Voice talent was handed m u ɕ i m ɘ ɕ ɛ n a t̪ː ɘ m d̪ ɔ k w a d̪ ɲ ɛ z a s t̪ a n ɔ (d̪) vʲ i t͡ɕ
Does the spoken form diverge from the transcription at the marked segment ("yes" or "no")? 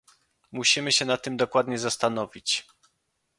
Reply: yes